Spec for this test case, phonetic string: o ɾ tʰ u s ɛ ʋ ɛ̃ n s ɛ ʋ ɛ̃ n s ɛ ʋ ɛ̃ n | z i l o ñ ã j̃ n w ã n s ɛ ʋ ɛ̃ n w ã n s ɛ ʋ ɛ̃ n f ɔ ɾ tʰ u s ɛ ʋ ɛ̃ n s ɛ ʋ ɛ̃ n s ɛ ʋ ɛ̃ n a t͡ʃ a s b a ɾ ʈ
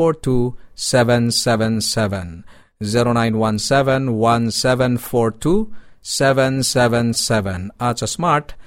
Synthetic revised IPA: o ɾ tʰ u s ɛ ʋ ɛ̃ n s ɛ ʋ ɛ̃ n s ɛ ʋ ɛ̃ n | z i ɾ o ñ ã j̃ n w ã n s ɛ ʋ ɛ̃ n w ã n s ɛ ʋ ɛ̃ n f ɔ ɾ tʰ u s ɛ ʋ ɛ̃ n s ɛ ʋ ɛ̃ n s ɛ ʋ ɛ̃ n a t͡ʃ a s m a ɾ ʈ